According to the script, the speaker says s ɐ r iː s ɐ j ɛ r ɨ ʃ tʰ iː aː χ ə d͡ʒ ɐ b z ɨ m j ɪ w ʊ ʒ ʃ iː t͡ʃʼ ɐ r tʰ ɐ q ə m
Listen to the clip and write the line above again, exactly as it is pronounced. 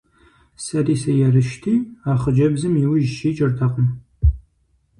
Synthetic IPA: s ɐ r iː s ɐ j ɛ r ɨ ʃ tʰ iː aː χ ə d͡ʒ ɐ b z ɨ m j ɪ w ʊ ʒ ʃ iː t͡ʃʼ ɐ r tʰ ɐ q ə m

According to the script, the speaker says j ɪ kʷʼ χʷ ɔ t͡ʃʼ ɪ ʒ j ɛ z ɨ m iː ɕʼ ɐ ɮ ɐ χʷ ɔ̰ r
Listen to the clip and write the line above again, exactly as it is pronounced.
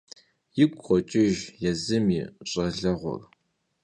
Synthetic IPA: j ɪ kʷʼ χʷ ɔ t͡ʃʼ ɪ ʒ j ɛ z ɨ m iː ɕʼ ɐ ɮ ɐ ʁʷ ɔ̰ r

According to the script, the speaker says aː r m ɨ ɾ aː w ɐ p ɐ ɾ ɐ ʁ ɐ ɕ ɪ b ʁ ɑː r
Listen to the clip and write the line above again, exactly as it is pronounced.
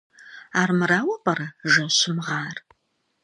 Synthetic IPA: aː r m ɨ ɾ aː w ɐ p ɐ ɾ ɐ ʒ ɐ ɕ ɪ m ʁ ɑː r

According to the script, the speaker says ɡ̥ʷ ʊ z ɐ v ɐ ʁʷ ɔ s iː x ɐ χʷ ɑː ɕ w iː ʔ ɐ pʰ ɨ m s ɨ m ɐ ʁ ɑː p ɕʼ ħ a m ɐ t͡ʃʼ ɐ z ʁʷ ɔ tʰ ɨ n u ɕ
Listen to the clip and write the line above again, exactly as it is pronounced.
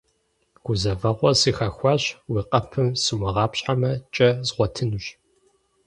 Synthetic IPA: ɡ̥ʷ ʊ z ɐ v ɐ ʁʷ ɔ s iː x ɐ xʷ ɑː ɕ w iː q ɐ pʰ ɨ m s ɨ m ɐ ʁ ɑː p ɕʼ ħ a m ɐ t͡ʃʼ ɐ z ʁʷ ɔ tʰ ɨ n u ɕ

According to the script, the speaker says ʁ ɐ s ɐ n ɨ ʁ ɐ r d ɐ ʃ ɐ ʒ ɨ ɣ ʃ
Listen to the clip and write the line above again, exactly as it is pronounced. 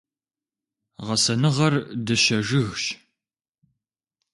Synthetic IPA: ʁ ɐ s ɐ n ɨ ʁ ɐ r d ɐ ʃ ɐ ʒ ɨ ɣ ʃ

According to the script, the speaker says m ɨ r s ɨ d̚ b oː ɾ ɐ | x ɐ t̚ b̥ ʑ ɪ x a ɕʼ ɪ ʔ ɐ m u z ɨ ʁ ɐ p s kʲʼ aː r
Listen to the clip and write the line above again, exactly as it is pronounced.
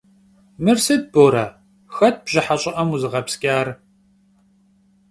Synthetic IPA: m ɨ r s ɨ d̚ b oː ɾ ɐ | x ɐ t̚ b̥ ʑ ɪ ħ a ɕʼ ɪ ʔ ɐ m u z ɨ ʁ ɐ p s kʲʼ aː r

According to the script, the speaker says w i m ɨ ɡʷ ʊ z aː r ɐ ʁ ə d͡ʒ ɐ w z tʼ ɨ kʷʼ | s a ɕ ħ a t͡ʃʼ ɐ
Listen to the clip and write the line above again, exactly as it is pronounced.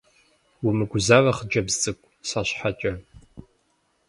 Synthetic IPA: w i m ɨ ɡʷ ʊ z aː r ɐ χ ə d͡ʒ ɐ b z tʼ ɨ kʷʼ | s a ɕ ħ a t͡ʃʼ ɐ

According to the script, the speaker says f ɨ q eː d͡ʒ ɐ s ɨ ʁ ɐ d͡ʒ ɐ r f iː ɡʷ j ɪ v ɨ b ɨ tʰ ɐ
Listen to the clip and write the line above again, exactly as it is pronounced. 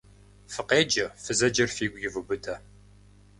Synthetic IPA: f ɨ q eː d͡ʒ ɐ f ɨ z ɐ d͡ʒ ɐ r f iː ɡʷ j ɪ v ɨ b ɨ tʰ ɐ

